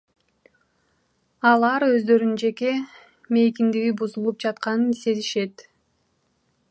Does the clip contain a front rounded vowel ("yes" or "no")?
yes